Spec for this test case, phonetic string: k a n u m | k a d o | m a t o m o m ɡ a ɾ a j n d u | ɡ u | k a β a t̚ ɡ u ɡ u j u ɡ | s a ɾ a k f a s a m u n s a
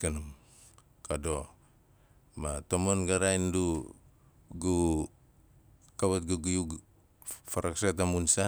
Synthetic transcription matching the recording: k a n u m | k a d o | m a t o m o n ɡ a ɾ a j n d u | ɡ u | k a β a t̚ ɡ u ɡ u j u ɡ | f a ɾ a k s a t a m u n s a